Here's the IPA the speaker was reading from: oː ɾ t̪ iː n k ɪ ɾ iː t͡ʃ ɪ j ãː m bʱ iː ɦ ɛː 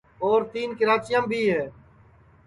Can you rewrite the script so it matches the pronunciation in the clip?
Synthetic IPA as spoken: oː ɾ t̪ iː n k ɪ ɾ aː t͡ʃ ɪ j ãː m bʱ iː ɦ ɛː